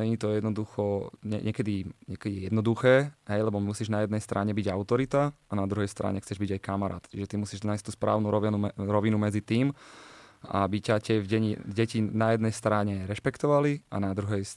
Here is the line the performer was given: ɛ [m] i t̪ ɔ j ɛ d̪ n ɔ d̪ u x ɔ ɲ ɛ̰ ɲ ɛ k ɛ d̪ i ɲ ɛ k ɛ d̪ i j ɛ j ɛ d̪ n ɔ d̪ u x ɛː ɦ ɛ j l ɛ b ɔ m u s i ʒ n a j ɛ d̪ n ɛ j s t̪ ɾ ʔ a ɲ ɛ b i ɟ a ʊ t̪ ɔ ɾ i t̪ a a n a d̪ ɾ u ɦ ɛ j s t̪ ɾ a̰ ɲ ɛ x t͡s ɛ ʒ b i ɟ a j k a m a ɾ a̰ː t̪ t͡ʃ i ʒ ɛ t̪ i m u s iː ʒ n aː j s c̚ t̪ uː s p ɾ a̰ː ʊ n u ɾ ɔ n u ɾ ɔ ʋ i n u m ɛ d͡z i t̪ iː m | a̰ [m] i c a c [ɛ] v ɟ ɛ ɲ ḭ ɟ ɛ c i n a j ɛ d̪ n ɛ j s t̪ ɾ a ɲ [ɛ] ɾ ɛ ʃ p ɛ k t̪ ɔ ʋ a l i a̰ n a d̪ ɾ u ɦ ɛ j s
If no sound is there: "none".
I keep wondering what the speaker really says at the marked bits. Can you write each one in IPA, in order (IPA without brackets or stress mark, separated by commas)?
ɲ, b, ɛ, ɛ